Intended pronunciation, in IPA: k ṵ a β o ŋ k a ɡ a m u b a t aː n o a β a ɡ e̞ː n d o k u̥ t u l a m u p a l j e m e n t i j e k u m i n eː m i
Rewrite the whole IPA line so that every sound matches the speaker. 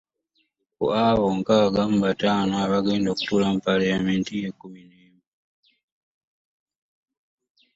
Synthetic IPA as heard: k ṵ a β o ŋ k a ɡ a m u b a t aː n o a β a ɡ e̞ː n d o k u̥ t u l a m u p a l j a m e n t i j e k u m i n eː m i